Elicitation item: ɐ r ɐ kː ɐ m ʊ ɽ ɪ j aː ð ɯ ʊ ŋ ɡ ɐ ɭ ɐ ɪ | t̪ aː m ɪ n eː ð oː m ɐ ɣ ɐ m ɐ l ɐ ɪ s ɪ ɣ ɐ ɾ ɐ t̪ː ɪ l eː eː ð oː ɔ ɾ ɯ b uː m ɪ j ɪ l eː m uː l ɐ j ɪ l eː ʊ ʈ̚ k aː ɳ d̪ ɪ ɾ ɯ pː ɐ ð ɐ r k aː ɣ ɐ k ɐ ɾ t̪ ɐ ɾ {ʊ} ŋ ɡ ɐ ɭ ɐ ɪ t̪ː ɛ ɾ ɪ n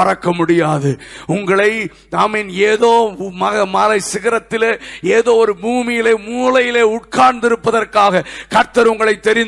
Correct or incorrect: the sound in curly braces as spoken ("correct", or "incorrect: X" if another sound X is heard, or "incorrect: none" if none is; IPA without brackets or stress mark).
correct